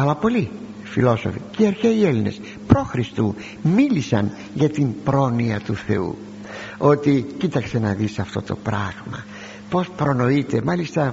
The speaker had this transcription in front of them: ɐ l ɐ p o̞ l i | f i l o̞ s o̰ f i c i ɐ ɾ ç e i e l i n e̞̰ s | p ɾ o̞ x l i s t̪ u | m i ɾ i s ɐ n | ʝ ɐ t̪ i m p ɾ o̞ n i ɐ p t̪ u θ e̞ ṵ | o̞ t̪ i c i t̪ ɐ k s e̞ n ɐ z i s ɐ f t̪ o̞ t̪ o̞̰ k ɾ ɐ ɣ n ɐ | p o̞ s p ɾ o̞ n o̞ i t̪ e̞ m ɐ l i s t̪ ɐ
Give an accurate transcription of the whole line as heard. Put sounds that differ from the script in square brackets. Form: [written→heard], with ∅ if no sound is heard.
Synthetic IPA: ɐ l ɐ p o̞ l i | f i l o̞ s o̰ f i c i ɐ ɾ ç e i e l i n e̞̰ s | p ɾ o̞ x [l→ɾ] i s t̪ u | m i [ɾ→l] i s ɐ n | ʝ ɐ t̪ i m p ɾ o̞ n i ɐ [p→∅] t̪ u θ e̞ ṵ | o̞ t̪ i c i t̪ ɐ k s e̞ n ɐ [z→ð] i s ɐ f t̪ o̞ t̪ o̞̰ [k→p] ɾ ɐ ɣ [n→m] ɐ | p o̞ s p ɾ o̞ n o̞ i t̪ e̞ m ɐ l i s t̪ ɐ